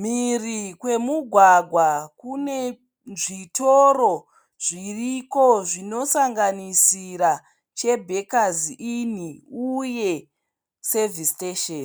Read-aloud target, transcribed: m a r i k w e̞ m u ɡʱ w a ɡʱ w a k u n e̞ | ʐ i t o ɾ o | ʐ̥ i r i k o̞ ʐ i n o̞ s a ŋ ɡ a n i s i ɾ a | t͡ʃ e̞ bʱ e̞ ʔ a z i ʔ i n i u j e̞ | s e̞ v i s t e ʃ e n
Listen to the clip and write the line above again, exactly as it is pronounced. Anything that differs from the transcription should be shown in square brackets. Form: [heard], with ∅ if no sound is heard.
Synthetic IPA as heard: m [i] r i k w e̞ m u ɡʱ w a ɡʱ w a k u n e̞ | ʐ i t o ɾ o | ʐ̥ i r i k o̞ ʐ i n o̞ s a ŋ ɡ a n i s i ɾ a | t͡ʃ e̞ bʱ e̞ [k] a z i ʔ i n i u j e̞ | s e̞ v i s t e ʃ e n